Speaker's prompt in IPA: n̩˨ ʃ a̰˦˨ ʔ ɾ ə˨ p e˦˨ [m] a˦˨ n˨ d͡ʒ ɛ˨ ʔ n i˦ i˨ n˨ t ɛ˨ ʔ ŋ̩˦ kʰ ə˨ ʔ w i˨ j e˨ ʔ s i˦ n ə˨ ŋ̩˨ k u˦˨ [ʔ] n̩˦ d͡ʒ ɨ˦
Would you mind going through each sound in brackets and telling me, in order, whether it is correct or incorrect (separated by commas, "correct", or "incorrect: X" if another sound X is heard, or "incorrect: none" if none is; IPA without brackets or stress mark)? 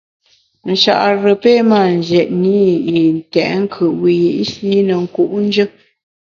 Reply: correct, correct